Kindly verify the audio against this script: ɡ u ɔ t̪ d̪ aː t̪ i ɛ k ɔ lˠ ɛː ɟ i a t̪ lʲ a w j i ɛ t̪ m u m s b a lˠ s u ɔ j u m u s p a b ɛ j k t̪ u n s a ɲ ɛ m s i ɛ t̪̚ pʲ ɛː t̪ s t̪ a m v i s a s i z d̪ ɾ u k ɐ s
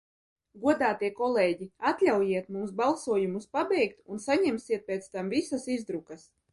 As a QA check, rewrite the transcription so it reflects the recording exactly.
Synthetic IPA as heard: ɡ u ɔ d̪ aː t̪ i ɛ k ɔ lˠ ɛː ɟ i a t̪ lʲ a w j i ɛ t̪ m u m s b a lˠ s u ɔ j u m u s p a b ɛ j k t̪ u n s a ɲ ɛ m s i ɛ t̪̚ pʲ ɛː t̪ s t̪ a m v i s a s i z d̪ ɾ u k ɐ s